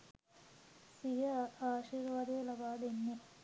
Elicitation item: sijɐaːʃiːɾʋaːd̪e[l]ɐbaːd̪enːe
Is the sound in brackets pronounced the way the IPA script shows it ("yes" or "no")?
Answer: yes